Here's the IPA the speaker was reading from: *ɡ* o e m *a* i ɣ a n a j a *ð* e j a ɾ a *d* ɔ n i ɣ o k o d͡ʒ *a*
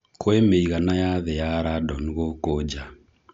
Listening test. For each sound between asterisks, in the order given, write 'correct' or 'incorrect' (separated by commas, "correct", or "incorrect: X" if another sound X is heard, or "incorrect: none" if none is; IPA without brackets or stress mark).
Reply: incorrect: k, incorrect: e, correct, correct, correct